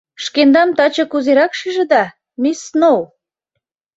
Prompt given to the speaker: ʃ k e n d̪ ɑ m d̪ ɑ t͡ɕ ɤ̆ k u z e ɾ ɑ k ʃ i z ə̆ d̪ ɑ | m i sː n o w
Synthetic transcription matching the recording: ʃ k e n d̪ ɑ m t̪ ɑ t͡ɕ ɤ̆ k u z e ɾ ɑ k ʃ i ʒ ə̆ d̪ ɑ | m i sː n o w

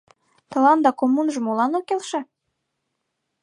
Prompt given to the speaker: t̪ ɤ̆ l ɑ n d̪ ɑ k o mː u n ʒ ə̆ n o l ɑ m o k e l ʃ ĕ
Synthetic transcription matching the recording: t̪ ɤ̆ l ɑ n d̪ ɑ k o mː u n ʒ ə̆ m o l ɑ n o k e l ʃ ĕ

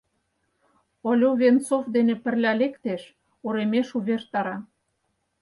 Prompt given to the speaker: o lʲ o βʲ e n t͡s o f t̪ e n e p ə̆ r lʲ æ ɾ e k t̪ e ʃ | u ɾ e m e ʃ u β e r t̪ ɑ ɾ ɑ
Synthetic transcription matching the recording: o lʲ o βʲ e n t͡s o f d̪ e n e p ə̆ r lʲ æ l e k t̪ e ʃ | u ɾ e m e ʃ u β e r t̪ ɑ ɾ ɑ

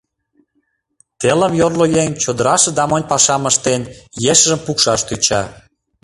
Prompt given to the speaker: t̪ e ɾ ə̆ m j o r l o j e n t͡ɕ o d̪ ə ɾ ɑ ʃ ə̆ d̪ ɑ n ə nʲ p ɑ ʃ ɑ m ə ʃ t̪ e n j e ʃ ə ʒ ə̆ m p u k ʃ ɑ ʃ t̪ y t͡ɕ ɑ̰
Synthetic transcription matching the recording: t̪ e l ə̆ m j o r l o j e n t͡ɕ o d̪ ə ɾ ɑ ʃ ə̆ d̪ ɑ m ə nʲ p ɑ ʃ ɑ m ə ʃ t̪ e n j e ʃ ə ʒ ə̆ m p u k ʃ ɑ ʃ t̪ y t͡ɕ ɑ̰

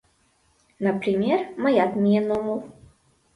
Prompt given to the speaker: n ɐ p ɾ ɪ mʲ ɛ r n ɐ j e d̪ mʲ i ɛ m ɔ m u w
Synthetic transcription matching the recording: n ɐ p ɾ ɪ mʲ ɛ r m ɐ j a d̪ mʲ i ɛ n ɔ m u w

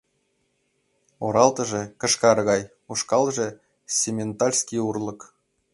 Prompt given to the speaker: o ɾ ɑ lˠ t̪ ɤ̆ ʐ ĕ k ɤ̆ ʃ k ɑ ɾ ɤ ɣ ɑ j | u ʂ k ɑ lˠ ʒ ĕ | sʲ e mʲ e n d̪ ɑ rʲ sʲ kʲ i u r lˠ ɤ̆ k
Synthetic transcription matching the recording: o ɾ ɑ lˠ t̪ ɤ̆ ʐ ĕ k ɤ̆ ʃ k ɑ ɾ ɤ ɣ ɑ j | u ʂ k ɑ lˠ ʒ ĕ | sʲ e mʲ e n t̪ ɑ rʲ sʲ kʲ i u r lˠ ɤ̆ k

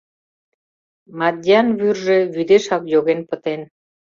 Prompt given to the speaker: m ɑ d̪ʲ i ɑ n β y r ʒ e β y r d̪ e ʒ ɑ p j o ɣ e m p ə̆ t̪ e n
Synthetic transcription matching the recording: m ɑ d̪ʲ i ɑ n β y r ʒ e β y d̪ e ʃ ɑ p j o ɣ e n p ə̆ t̪ e n

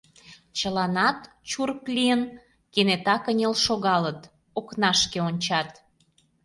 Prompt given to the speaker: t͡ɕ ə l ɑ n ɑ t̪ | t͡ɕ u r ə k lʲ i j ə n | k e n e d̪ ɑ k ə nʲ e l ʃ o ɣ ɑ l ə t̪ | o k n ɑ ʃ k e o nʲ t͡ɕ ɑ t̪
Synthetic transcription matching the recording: t͡ɕ ə l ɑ n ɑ t̪ | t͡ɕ u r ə k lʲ i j ə n | k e n e t̪ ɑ k ə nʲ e l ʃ o ɣ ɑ l ə t̪ | o k n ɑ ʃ k e o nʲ t͡ɕ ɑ t̪

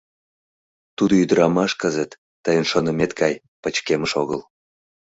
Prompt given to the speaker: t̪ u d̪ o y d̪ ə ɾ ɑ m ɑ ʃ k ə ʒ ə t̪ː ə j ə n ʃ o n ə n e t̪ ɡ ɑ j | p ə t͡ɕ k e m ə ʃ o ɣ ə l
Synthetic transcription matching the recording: t̪ u d̪ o y d̪ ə ɾ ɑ m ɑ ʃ k ə z ə t̪ː ə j ə n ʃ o n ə m e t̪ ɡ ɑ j | p ə t͡ɕ k e m ə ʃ o ɣ ə l

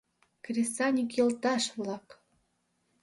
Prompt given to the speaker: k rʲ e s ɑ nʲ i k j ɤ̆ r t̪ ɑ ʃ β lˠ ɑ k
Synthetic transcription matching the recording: k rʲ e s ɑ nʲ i k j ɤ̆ l t̪ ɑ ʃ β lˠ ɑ k

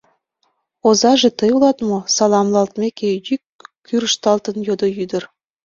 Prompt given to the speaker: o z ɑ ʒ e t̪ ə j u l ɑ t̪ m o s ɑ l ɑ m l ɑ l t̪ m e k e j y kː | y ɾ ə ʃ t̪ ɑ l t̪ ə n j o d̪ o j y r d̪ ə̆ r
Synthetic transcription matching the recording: o z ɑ ʒ e t̪ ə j u l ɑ t̪ m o s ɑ l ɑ m l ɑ l t̪ m e k e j y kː | y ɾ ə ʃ t̪ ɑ l t̪ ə n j o d̪ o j y d̪ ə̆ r

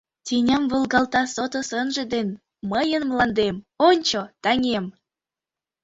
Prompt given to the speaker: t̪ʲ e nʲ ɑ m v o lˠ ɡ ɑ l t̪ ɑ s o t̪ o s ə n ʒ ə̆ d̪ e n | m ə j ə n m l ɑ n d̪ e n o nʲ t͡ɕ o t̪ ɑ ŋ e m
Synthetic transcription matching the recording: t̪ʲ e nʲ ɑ m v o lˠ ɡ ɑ l t̪ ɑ s o t̪ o s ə n ʒ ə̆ d̪ e n | m ə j ə n m l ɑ n d̪ e m o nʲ t͡ɕ o t̪ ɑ ŋ e m

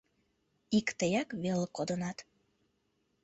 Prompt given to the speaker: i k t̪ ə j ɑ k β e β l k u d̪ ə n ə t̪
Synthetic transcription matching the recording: i k t̪ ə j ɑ k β e l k o d̪ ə n ɑ t̪

